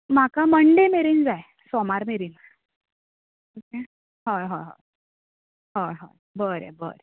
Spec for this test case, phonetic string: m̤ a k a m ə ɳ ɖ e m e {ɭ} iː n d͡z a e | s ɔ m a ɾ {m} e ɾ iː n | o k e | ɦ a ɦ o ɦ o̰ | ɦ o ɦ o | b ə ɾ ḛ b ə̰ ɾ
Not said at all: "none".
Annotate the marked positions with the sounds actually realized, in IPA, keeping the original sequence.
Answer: ɾ, m

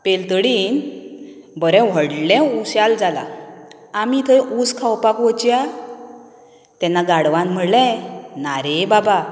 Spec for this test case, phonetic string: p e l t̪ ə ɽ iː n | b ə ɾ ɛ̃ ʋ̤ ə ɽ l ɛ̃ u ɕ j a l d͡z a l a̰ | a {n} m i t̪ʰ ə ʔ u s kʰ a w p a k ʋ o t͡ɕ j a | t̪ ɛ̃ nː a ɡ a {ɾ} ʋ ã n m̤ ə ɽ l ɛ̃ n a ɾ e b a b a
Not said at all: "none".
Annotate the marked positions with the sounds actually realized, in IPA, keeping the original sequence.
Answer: none, ɽ

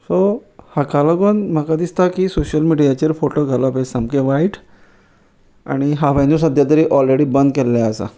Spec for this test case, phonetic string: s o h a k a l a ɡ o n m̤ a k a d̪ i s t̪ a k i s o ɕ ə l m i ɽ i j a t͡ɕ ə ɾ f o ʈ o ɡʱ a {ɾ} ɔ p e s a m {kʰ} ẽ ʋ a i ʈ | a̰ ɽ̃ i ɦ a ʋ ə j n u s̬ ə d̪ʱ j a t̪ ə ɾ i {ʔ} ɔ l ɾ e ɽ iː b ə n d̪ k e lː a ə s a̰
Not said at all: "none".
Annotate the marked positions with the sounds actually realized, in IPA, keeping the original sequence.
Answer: l, k, ʔ

